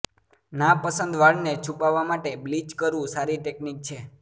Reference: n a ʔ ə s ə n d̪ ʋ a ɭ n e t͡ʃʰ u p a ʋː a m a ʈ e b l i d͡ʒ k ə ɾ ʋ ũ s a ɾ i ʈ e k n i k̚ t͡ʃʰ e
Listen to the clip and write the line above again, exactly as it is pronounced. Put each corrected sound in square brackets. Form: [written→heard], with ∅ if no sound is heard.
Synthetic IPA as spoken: n a [ʔ→p] ə s ə n d̪ ʋ a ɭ n e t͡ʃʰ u p a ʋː a m a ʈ e b l i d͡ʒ k ə ɾ ʋ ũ s a ɾ i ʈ e k n i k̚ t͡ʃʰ e

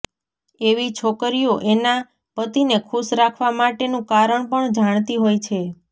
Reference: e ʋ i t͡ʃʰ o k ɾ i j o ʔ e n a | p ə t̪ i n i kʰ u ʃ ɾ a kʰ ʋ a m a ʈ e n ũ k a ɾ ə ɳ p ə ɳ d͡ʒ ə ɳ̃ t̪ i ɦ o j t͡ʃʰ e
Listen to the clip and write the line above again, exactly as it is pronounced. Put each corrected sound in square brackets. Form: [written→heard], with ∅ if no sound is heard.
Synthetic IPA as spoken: e ʋ i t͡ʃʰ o k ɾ i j o ʔ e n a | p ə t̪ i n [i→e] kʰ u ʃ ɾ a kʰ ʋ a m a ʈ e n ũ k a ɾ ə ɳ p ə ɳ d͡ʒ [ə→a] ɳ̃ t̪ i ɦ o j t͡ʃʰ e

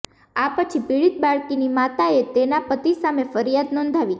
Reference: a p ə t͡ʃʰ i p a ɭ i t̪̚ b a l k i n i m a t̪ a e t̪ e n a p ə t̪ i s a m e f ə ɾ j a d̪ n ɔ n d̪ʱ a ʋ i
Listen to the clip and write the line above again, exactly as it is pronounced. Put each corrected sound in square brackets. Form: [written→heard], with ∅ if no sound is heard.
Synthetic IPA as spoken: a p ə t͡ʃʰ i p [a→i] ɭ i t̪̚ b a [l→ɭ] k i n i m a t̪ a e t̪ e n a p ə t̪ i s a m e f ə ɾ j a d̪ n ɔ n d̪ʱ a ʋ i

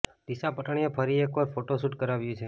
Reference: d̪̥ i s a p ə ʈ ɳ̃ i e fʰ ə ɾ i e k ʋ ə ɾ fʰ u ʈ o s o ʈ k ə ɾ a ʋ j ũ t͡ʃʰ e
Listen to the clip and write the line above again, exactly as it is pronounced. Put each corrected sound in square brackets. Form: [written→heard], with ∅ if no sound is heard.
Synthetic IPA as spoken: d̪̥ i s a p ə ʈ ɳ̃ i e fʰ ə ɾ i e k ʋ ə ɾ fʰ [u→o] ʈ o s [o→u] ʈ k ə ɾ a ʋ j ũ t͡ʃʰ e

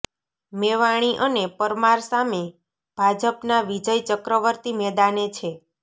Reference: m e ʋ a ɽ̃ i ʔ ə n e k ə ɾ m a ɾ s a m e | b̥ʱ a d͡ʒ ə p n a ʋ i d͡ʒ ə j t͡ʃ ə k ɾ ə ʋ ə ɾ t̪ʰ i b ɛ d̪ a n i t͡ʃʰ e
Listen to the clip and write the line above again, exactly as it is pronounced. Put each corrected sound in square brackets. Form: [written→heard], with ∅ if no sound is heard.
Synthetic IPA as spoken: m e ʋ a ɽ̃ i ʔ ə n e [k→p] ə ɾ m a ɾ s a m e | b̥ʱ a d͡ʒ ə p n a ʋ i d͡ʒ ə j t͡ʃ ə k ɾ ə ʋ ə ɾ [t̪ʰ→t̪] i [b→m] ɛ d̪ a n [i→e] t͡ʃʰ e

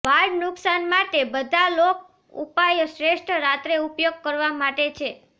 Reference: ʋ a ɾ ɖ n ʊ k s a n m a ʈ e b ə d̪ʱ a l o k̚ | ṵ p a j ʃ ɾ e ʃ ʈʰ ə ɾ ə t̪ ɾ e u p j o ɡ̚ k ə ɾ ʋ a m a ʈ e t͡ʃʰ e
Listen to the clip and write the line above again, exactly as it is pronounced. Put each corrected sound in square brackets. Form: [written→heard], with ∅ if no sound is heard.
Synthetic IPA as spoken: ʋ a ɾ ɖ n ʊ k s a n m a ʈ e b ə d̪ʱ a l o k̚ | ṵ p a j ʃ ɾ e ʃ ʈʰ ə ɾ [ə→a] t̪ ɾ e u p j o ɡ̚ k ə ɾ ʋ a m a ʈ e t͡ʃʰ e

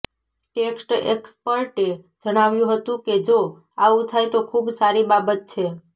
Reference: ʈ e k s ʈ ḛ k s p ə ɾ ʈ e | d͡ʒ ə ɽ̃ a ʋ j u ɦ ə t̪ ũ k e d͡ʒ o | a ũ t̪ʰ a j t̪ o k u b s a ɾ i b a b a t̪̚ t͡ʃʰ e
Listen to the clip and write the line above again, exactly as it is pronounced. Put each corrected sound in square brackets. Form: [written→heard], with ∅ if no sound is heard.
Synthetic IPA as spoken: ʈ e k s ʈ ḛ k s p ə ɾ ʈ e | d͡ʒ ə ɽ̃ a ʋ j [u→ũ] ɦ ə t̪ ũ k e d͡ʒ o | a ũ t̪ʰ a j t̪ o [k→kʰ] u b s a ɾ i b a b [a→ə] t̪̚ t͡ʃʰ e

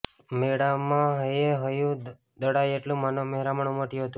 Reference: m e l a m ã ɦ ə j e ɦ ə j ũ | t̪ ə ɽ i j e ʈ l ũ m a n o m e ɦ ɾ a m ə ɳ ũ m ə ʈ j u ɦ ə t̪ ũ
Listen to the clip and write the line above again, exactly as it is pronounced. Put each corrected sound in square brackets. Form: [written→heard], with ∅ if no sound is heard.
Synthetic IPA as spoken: m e [l→ɽ] a m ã ɦ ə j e ɦ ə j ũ | [t̪→d̪] ə ɽ [i→a] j e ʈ l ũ m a n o m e ɦ ɾ a m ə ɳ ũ m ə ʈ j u ɦ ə t̪ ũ

